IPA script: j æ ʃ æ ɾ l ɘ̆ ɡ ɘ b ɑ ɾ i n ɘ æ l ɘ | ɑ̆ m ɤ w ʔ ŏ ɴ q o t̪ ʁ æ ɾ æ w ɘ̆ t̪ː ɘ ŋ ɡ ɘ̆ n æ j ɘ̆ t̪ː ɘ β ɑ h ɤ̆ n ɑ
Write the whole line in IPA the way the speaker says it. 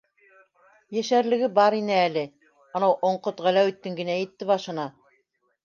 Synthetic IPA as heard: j æ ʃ æ ɾ l ɘ̆ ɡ ɘ b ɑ ɾ i n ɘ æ l ɘ | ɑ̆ n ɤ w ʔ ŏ ɴ q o t̪ ʁ æ l æ w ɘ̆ t̪ː ɘ ŋ ɡ ɘ̆ n æ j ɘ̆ t̪ː ɘ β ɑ ʃ ɤ̆ n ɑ

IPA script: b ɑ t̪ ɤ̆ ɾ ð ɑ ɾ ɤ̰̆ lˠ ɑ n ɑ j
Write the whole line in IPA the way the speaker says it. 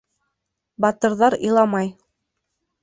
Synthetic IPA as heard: b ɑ t̪ ɤ̆ ɾ ð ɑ ɾ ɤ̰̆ lˠ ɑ m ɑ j

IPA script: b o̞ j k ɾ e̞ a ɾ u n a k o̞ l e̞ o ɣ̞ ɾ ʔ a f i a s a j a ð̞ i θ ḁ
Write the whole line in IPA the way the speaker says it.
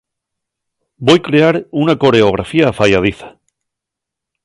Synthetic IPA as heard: b o̞ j k ɾ e̞ a ɾ u n a k o̞ ɾ e̞ o ɣ̞ ɾ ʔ a f i a f a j a ð̞ i θ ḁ

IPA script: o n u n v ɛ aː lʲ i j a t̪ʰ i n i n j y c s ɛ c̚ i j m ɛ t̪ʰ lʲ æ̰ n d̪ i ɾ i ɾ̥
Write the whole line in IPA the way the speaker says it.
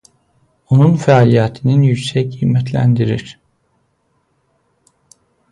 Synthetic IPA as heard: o n u n f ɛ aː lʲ i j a t̪ʰ i n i n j y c s ɛ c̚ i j m ɛ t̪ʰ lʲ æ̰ n d̪ i ɾ i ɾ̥

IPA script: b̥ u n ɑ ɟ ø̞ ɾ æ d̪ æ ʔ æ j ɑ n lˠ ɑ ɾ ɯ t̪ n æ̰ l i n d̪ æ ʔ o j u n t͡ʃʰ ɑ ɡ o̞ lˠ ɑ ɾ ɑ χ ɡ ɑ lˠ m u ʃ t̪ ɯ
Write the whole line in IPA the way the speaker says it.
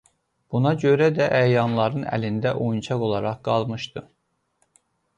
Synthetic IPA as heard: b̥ u n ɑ ɟ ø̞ ɾ æ d̪ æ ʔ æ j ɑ n lˠ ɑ ɾ ɯ n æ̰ l i n d̪ æ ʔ o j u n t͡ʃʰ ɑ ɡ o̞ lˠ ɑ ɾ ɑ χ ɡ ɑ lˠ m ɯ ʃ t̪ ɯ

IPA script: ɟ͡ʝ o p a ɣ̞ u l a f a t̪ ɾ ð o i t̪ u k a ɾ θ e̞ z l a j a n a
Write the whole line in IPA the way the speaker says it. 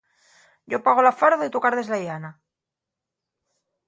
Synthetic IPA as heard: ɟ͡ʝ o p a ɣ̞ o l a f a ɾ ð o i t̪ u k a ɾ ð e̞ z l a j a n a

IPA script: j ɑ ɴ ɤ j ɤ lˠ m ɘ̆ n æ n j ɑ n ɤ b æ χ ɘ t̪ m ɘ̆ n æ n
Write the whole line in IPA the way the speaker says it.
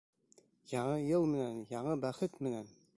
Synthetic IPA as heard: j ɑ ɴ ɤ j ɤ lˠ m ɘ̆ n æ n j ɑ ɴ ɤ b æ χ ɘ t̪ m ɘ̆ n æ n

